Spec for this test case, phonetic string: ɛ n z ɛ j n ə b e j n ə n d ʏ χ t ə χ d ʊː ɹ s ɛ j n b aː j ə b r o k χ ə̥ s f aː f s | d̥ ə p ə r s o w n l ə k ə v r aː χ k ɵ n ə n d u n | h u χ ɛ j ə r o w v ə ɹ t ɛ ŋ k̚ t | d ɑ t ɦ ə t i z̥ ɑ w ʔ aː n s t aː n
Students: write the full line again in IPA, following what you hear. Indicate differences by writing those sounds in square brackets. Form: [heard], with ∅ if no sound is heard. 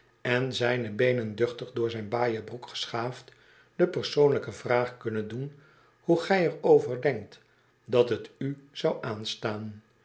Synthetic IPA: ɛ n z ɛ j n ə b e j n ə n d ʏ χ t ə χ d ʊː ɹ [z] ɛ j n b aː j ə b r [u] k χ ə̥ s [χ] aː f [t] | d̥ ə p ə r s o w n l ə k ə v r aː χ k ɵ n ə n d u n | h u χ ɛ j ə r o w v ə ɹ [d] ɛ ŋ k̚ t | d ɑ t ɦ ə t [y] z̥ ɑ w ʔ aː n s t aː n